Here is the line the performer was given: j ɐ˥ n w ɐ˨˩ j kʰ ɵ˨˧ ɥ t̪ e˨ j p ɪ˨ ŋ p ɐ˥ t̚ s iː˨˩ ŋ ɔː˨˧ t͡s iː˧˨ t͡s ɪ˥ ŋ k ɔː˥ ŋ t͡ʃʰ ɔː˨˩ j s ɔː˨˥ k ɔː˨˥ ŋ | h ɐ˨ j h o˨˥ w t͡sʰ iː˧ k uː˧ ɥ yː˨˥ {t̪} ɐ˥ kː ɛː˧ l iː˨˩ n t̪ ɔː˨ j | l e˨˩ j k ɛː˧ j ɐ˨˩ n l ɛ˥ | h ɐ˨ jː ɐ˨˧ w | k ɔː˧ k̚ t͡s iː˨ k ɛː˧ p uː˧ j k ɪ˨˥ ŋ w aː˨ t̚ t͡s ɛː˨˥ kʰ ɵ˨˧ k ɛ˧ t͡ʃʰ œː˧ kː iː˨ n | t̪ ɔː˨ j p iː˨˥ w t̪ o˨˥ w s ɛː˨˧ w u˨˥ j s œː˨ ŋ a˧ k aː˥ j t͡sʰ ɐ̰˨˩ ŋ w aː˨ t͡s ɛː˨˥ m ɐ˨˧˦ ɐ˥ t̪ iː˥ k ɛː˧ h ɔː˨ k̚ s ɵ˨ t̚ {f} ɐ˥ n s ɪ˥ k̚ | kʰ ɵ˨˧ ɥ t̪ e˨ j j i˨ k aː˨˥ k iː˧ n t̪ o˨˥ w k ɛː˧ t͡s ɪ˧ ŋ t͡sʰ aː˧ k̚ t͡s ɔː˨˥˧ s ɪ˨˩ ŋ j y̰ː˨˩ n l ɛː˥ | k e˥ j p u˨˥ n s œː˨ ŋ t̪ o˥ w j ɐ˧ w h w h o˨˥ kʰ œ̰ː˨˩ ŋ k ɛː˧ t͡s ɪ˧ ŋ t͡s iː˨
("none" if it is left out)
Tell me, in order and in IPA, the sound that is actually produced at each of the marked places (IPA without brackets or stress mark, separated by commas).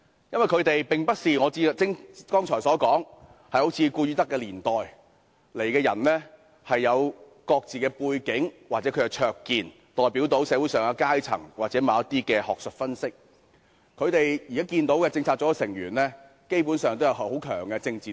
t̪, f